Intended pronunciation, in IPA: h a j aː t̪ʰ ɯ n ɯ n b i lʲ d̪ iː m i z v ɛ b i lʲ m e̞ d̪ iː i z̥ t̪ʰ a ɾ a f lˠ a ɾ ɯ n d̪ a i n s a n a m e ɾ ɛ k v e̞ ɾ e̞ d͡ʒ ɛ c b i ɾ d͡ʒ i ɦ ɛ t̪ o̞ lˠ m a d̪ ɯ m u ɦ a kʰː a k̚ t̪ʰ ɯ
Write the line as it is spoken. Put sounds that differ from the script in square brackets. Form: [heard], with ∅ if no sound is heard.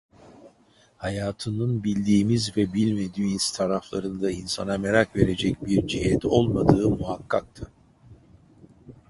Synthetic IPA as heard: h a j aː t̪ʰ ɯ n ɯ n b i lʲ d̪ iː m i z v ɛ b i lʲ m e̞ d̪ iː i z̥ t̪ʰ a ɾ a f lˠ a ɾ ɯ n d̪ a i n s a n a m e ɾ [a] k v e̞ ɾ e̞ d͡ʒ ɛ c b i ɾ d͡ʒ i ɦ ɛ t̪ o̞ lˠ m a d̪ [ɯː] m u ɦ a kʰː a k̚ t̪ʰ ɯ